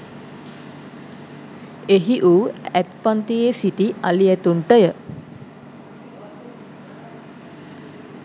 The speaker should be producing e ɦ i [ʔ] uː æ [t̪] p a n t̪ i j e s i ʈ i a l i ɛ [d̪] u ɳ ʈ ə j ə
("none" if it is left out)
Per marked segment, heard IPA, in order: ʔ, t̪, t̪

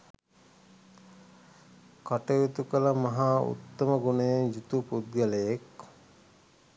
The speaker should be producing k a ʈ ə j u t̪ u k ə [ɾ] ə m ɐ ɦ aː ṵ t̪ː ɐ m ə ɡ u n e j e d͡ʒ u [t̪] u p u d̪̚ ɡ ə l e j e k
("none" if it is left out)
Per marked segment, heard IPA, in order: l, t̪

